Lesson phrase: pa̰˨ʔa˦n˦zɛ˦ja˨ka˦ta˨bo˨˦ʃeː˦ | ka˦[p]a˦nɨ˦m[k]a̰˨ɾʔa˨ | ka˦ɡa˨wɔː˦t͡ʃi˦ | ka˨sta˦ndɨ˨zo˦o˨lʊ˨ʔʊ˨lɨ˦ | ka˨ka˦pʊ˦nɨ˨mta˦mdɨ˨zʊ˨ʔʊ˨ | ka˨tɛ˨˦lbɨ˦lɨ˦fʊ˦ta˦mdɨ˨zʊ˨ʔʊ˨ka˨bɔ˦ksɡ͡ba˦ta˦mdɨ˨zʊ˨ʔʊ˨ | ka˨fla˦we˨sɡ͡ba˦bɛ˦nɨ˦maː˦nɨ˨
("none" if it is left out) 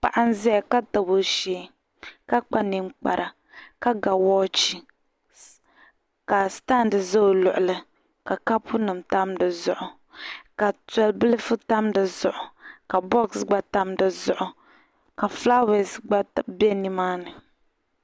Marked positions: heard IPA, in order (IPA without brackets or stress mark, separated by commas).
k͡p, k͡p